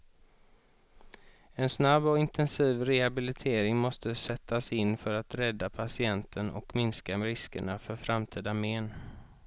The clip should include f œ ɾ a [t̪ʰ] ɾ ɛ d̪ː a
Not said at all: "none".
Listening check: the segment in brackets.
t̪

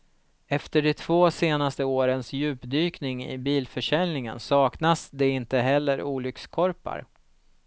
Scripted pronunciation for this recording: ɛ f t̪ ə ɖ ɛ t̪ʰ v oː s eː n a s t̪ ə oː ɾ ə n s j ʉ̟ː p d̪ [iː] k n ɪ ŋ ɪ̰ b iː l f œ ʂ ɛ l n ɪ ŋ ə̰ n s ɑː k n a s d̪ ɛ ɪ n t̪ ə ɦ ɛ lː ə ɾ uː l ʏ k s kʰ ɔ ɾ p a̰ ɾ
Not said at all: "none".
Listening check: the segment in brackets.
yː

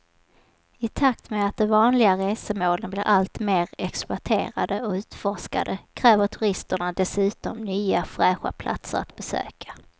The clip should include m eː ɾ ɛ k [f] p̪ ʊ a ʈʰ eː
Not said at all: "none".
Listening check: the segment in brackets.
s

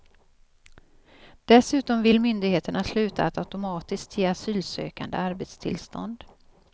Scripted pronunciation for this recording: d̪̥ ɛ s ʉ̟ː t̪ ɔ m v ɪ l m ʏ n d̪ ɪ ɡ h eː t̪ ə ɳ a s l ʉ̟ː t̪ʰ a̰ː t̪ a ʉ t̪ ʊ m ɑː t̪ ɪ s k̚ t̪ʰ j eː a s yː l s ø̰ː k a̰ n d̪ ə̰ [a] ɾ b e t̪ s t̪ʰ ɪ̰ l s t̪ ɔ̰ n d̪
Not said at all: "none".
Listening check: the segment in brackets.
a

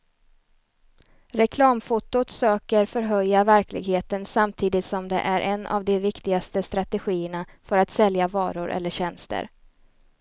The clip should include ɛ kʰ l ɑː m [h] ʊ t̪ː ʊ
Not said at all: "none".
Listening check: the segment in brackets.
f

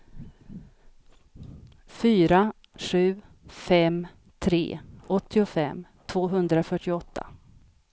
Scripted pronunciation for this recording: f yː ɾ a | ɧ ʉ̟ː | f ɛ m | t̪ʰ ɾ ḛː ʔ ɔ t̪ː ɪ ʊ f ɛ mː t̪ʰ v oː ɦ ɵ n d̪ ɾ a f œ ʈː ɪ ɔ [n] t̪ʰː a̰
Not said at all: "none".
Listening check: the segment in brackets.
none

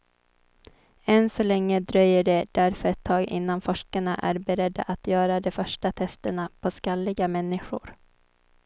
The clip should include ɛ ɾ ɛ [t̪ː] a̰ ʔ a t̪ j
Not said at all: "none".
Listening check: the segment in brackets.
d̪ː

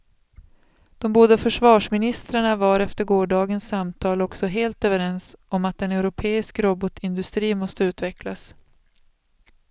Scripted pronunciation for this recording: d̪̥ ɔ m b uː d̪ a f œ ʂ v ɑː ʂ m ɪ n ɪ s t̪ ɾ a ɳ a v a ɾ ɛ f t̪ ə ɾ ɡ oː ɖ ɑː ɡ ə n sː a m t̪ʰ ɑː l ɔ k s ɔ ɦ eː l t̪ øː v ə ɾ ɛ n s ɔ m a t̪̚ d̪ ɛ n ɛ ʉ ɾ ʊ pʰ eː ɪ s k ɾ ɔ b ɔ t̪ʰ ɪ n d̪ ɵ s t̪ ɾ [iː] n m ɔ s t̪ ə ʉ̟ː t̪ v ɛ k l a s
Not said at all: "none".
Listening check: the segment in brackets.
iː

